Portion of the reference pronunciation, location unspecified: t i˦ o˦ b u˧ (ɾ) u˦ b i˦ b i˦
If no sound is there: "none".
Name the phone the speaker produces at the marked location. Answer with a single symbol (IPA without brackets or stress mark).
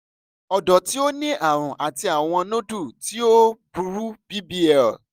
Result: ɾ